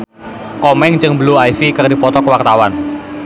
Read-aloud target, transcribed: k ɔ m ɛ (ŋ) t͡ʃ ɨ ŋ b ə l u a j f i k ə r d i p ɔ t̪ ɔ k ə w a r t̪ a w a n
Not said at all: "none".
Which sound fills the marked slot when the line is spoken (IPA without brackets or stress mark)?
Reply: ŋ